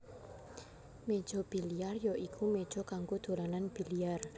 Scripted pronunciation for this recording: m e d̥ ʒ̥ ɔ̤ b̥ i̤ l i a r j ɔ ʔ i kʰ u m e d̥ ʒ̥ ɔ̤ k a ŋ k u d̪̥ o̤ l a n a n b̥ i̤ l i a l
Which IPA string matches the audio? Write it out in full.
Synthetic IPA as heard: m e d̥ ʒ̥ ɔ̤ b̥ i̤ l i a r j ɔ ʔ i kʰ u m e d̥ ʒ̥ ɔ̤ k a ŋ k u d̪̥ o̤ l a n a n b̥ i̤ l i a r